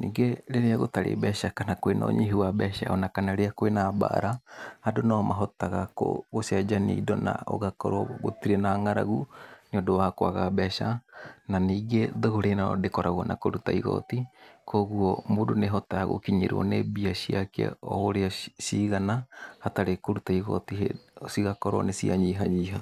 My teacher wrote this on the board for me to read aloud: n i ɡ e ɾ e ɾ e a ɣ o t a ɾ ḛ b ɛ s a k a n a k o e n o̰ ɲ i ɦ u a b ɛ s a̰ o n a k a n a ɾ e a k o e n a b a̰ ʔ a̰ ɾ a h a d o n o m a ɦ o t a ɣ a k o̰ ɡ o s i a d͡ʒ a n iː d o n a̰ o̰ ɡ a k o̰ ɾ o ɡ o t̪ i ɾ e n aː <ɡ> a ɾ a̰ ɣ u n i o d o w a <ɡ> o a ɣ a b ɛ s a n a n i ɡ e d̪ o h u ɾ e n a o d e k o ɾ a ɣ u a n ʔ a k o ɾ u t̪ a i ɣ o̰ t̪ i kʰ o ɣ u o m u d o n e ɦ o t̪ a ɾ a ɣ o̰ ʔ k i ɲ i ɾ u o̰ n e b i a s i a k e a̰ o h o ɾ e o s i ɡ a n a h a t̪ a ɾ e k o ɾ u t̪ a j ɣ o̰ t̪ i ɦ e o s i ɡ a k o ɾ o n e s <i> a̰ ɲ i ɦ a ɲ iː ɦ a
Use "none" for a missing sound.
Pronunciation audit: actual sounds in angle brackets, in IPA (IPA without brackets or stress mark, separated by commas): ŋ, k, i